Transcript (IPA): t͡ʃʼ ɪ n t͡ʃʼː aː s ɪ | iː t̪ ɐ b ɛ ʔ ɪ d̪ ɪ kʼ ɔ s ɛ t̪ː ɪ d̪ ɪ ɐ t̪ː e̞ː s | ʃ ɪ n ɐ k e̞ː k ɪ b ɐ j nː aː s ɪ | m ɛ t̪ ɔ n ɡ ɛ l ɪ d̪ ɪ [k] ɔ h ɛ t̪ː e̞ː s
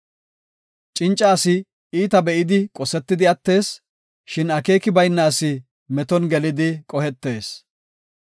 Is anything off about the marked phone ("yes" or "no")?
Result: yes